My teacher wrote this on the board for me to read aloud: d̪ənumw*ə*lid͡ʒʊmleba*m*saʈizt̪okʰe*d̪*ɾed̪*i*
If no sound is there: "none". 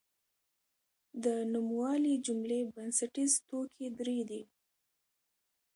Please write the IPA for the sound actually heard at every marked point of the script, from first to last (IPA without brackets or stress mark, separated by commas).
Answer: ɑ, n, d̪, i